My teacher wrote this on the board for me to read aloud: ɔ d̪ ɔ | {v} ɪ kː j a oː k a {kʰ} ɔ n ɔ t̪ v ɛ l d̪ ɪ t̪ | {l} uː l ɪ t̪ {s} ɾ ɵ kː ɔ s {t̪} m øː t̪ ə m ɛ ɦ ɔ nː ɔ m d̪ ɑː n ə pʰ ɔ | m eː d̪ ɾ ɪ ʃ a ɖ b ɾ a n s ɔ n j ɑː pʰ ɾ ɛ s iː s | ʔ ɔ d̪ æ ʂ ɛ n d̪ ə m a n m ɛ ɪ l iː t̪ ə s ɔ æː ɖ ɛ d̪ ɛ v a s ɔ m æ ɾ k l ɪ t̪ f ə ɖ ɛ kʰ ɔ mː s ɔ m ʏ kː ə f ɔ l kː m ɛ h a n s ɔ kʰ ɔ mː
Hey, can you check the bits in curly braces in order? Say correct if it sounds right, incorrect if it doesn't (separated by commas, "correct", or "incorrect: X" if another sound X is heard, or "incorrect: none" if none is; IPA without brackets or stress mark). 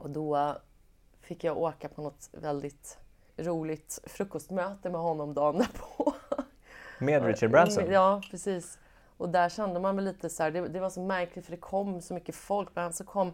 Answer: incorrect: f, incorrect: pʰ, incorrect: ɾ, incorrect: f, correct